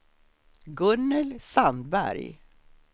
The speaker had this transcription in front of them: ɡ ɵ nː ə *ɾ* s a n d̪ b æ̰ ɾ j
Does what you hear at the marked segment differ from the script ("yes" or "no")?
yes